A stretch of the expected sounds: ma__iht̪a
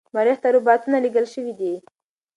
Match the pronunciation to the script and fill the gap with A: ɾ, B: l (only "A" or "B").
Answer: A